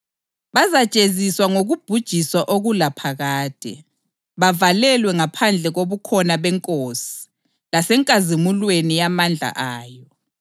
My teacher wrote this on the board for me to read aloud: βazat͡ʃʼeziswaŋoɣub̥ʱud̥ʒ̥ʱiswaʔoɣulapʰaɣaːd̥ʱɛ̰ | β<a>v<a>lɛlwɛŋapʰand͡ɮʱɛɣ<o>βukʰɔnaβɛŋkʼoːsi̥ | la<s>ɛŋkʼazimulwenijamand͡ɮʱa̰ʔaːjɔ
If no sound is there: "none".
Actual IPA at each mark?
a, a, o, s

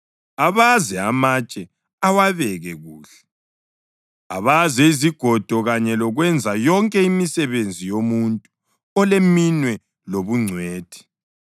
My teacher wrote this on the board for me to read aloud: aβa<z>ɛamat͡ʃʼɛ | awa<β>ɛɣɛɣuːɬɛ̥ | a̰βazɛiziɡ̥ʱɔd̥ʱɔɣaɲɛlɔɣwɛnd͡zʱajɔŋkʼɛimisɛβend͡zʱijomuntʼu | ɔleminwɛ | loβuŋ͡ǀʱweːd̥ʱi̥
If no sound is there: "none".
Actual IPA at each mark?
z, β

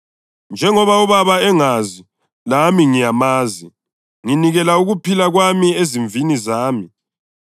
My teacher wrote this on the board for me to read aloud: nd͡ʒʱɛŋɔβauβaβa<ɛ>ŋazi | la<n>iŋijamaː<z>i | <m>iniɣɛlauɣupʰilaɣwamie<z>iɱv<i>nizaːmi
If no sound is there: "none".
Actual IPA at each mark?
ɛ, m, z, ŋ, z, i

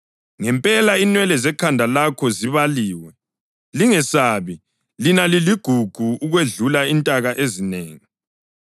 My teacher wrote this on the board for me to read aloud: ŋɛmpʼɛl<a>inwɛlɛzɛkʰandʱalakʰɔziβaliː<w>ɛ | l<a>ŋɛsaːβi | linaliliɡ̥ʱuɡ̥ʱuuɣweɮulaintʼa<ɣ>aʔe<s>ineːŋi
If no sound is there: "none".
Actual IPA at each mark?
a, w, i, ɣ, z

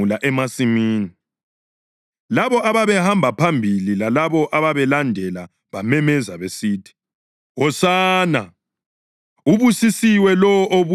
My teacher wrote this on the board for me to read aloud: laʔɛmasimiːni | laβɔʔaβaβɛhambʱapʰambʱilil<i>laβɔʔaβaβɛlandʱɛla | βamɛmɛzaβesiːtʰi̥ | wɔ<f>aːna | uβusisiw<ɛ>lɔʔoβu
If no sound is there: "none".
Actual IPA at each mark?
a, s, ɛ

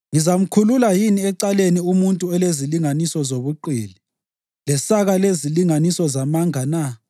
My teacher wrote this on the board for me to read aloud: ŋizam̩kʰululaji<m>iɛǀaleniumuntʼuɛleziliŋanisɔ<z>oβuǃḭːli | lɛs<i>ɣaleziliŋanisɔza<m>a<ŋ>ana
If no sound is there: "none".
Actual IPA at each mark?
n, z, a, m, ŋ

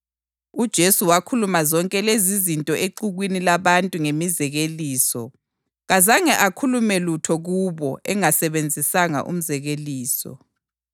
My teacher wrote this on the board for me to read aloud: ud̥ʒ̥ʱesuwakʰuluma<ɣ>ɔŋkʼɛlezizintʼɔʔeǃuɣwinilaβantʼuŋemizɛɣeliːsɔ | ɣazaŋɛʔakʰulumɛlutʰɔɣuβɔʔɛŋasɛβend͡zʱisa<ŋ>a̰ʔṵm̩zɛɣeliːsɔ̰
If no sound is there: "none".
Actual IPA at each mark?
z, ŋ

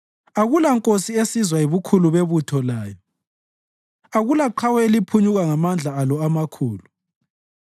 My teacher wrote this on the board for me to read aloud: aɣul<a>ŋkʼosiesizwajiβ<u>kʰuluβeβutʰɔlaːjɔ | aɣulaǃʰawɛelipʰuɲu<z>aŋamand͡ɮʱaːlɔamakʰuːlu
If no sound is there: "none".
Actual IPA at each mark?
a, u, ɣ

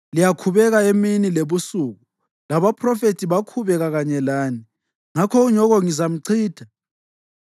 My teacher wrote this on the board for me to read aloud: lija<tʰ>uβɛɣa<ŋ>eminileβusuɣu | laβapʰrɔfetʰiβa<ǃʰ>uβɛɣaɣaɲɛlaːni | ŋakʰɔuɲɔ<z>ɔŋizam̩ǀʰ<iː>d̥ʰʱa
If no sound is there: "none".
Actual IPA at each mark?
kʰ, none, kʰ, ɣ, iː

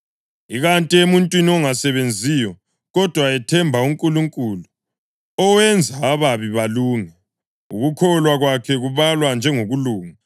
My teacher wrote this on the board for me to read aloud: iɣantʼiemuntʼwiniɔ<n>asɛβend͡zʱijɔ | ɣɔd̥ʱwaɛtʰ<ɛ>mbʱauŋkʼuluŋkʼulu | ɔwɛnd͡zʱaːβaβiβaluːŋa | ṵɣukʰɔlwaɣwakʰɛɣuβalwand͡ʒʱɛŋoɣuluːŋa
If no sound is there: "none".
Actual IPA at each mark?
ŋ, ɛ

